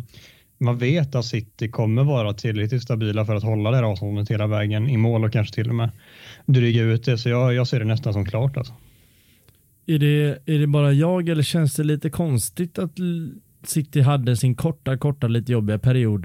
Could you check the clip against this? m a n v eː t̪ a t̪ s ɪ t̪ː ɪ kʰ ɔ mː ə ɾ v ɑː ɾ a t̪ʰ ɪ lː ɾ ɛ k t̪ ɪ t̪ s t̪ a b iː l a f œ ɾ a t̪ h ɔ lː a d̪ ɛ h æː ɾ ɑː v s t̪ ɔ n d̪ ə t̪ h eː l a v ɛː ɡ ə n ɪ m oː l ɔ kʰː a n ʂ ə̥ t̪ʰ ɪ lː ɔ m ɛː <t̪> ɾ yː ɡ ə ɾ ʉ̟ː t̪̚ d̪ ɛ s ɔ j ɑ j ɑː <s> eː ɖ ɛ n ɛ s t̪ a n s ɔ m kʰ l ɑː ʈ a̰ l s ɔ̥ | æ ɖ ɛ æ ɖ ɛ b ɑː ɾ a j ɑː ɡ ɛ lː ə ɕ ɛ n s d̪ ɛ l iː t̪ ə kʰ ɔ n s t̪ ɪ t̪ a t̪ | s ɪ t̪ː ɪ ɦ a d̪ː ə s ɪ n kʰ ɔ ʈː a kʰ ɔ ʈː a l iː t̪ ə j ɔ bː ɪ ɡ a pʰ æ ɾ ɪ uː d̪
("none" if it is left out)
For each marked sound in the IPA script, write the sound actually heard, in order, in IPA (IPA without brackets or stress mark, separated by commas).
d̪, s